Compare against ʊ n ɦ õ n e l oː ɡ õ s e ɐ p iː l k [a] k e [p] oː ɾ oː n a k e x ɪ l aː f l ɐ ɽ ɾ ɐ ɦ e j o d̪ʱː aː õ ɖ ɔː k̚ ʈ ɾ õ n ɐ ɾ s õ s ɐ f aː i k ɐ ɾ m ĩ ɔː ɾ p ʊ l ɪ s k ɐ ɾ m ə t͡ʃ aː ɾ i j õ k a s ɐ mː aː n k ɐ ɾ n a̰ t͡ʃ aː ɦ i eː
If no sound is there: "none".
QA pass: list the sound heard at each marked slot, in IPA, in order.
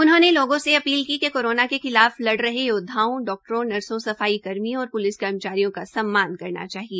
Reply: i, k

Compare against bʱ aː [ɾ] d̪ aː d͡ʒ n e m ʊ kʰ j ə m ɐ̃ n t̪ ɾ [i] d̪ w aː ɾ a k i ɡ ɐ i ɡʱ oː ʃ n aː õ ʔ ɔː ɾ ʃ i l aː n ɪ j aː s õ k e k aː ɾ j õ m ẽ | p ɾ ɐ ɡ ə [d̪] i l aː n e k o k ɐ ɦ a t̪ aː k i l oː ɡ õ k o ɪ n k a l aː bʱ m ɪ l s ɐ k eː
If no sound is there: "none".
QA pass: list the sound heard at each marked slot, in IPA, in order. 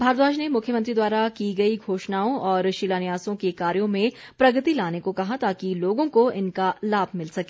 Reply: ɾ, i, t̪

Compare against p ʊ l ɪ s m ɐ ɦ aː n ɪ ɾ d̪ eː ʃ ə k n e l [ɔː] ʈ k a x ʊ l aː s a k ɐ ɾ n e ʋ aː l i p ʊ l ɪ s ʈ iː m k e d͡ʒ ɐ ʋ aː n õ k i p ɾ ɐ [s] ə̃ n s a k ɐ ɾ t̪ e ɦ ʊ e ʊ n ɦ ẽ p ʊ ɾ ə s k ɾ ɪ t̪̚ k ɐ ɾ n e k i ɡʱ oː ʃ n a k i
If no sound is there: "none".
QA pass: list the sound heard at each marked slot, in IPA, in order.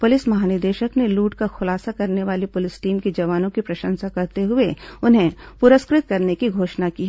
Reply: uː, ʃ

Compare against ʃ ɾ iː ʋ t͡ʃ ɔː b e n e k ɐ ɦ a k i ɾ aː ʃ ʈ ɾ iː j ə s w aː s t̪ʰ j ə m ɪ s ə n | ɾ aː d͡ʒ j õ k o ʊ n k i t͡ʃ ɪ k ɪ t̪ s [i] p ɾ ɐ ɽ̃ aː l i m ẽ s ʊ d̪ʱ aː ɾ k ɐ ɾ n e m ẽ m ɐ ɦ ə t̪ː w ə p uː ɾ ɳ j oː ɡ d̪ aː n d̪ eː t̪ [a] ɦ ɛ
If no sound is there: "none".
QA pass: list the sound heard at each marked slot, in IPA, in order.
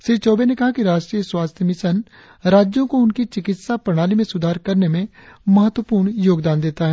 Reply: a, a

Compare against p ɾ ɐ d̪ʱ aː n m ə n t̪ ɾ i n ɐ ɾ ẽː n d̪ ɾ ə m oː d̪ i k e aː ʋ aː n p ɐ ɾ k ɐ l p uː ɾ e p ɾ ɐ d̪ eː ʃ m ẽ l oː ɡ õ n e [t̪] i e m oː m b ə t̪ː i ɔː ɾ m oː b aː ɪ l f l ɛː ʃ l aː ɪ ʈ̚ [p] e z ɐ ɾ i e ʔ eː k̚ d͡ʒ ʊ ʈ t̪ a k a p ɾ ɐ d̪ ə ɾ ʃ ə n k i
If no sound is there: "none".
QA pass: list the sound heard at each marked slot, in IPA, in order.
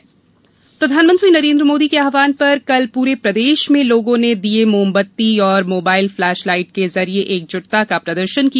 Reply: d̪, k

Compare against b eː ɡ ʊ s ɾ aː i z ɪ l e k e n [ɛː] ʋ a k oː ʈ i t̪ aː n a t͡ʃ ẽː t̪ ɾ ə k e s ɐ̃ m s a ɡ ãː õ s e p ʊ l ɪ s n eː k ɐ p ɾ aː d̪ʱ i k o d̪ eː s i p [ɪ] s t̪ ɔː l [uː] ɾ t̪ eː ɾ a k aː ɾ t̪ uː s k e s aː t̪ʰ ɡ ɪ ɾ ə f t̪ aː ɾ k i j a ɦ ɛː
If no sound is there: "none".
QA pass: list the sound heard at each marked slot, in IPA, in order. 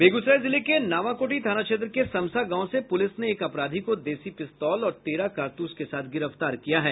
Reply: aː, ɪ, ɔː

